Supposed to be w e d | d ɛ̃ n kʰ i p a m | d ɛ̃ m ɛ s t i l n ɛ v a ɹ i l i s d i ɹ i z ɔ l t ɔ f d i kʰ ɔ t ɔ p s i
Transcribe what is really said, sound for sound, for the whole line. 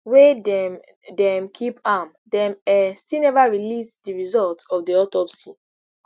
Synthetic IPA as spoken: w e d | d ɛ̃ m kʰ i p a m | d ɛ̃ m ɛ s t i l n ɛ v a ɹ i l i s d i ɹ i z ɔ l t ɔ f d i ɔ t ɔ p s i